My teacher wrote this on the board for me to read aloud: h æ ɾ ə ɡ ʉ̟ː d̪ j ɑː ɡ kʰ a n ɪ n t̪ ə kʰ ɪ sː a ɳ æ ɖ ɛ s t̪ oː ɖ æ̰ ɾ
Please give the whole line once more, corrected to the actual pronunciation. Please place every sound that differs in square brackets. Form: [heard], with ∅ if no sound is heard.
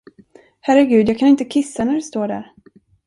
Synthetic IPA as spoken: h æ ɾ ə ɡ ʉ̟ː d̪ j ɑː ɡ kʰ a n ɪ n t̪ ə kʰ ɪ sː a [n] æ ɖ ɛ s t̪ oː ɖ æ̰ ɾ